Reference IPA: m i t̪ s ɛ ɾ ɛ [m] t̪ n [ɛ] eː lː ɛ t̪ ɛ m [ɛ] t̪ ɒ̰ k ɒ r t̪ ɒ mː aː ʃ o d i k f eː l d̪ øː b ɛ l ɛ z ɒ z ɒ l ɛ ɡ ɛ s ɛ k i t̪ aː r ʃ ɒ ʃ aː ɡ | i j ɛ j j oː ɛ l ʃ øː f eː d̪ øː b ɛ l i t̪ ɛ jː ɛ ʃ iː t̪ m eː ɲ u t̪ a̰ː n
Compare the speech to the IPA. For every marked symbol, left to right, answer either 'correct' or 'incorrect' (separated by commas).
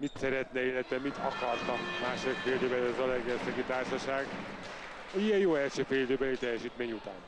incorrect, correct, incorrect